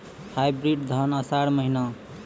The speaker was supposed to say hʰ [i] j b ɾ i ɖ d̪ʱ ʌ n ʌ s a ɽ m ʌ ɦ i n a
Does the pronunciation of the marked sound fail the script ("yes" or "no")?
yes